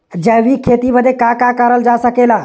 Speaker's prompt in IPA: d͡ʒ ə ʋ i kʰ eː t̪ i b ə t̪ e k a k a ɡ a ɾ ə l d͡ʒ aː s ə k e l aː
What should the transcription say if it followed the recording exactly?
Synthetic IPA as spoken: d͡ʒ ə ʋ i kʰ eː t̪ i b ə d̪ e k a k a k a ɾ ə l d͡ʒ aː s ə k e l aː